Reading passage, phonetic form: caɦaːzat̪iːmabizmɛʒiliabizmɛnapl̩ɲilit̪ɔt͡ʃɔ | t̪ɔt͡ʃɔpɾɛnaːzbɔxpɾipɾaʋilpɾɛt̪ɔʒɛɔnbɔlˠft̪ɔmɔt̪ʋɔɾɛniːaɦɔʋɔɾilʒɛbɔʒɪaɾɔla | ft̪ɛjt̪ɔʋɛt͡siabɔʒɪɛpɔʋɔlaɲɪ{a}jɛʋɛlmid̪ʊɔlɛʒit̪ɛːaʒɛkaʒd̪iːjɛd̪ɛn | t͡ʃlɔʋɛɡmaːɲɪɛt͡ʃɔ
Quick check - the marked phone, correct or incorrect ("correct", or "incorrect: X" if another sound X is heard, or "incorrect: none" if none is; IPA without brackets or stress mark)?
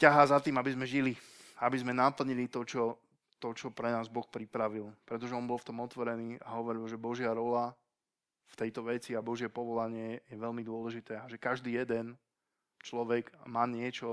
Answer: incorrect: ɛ